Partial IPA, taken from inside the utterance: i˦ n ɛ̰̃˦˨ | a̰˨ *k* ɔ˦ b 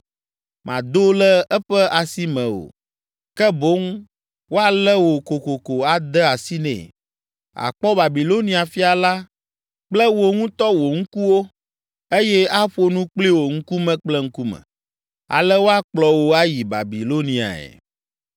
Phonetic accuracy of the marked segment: incorrect: k͡p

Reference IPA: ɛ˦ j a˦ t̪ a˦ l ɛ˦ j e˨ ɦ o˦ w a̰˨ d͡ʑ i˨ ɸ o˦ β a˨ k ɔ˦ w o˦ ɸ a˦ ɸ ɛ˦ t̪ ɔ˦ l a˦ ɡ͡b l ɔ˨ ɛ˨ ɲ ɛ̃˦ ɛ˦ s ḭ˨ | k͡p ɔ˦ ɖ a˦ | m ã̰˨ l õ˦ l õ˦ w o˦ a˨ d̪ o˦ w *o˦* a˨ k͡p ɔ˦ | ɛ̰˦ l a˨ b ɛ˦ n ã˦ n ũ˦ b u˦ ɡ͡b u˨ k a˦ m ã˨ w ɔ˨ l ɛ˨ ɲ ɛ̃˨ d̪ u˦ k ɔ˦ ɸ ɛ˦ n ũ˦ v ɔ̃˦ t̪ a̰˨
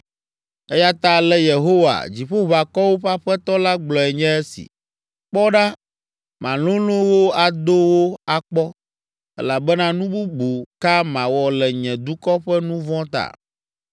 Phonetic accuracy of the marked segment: correct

